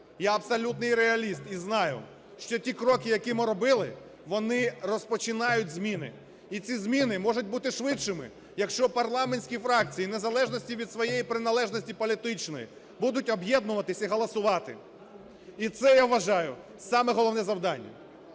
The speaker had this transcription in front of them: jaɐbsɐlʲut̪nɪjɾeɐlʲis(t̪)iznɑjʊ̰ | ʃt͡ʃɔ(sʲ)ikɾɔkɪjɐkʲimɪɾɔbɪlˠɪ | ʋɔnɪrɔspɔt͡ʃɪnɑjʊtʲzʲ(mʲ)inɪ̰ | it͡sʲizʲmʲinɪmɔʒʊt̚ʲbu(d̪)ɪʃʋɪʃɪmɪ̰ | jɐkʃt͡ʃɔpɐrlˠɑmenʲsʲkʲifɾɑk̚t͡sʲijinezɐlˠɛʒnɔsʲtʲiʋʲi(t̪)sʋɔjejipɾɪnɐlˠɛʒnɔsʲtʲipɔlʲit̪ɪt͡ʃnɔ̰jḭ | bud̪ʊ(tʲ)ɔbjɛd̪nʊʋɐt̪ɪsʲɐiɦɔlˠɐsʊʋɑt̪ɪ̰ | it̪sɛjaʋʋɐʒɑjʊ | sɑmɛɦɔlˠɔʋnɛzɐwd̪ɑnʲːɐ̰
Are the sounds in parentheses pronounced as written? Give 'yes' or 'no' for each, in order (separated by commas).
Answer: yes, no, yes, no, no, yes